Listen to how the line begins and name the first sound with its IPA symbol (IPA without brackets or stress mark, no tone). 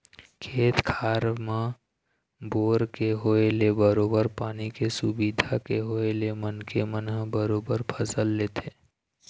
kʰ